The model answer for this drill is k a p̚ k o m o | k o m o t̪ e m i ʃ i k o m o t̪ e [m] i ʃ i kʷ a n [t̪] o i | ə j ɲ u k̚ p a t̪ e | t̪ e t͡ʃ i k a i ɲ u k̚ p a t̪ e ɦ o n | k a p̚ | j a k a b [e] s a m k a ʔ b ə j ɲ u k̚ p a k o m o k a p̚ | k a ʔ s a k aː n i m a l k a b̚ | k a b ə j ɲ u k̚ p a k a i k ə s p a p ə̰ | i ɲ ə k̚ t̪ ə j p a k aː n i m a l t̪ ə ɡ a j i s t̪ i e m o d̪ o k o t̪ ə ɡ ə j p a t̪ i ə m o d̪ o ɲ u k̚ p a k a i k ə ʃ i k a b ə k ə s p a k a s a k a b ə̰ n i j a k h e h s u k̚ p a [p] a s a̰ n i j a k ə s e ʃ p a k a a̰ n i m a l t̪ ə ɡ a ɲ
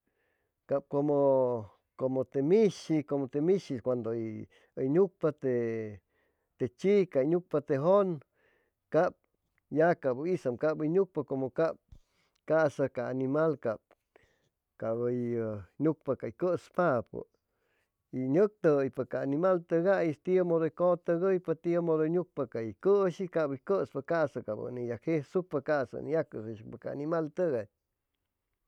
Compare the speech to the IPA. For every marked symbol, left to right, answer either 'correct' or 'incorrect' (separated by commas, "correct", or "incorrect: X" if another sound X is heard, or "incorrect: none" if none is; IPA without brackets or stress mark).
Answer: correct, incorrect: d̪, incorrect: i, incorrect: k